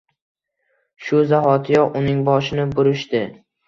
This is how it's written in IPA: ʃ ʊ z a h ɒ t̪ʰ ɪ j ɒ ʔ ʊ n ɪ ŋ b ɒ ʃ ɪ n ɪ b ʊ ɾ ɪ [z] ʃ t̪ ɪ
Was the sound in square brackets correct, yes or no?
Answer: no